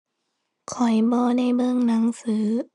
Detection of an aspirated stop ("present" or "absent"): present